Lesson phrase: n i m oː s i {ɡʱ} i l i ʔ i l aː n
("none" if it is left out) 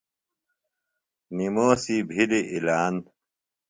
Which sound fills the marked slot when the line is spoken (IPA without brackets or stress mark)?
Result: bʱ